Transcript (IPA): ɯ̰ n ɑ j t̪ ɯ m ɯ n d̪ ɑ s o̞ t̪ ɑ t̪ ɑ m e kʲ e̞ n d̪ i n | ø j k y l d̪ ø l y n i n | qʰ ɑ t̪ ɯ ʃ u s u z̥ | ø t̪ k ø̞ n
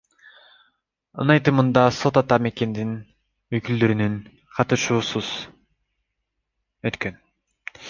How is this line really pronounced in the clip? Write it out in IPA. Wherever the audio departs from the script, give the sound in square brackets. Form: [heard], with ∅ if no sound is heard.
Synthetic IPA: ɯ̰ n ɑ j t̪ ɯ m ɯ n d̪ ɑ s o̞ t̪ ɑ t̪ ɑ m e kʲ e̞ n d̪ i n | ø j k y l d̪ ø [ɾ] y n [y] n | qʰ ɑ t̪ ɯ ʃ [uː] s u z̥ | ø t̪ k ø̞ n